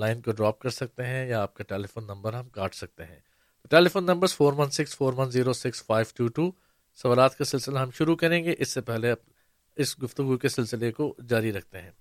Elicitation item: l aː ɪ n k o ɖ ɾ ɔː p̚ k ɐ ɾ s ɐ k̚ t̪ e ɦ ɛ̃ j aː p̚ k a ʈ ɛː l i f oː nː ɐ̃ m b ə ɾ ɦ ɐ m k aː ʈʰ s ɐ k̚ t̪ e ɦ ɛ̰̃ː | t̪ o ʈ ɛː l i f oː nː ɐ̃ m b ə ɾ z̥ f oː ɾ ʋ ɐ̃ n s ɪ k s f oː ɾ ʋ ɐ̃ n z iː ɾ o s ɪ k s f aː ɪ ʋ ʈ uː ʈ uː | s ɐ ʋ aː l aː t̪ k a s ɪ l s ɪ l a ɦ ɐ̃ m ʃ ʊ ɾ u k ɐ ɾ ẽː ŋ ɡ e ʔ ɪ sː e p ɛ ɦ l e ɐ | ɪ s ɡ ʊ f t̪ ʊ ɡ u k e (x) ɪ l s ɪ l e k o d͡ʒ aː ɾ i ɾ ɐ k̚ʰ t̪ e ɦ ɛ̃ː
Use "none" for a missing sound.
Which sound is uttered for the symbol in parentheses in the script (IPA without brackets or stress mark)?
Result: s